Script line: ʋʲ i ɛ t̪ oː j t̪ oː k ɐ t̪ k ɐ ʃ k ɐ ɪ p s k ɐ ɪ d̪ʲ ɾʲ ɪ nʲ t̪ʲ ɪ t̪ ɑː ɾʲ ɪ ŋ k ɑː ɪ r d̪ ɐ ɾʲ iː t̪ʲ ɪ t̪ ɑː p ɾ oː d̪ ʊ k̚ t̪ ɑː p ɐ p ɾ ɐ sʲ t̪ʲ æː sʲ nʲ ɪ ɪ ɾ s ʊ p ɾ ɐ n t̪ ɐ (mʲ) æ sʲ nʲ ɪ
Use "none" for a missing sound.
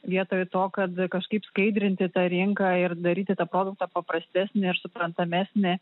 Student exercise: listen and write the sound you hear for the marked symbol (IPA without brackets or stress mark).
mʲ